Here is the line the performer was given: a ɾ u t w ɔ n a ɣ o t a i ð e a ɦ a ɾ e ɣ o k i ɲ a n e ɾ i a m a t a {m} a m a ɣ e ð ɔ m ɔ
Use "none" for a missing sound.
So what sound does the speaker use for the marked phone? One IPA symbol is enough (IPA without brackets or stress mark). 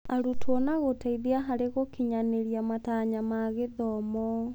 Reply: ɲ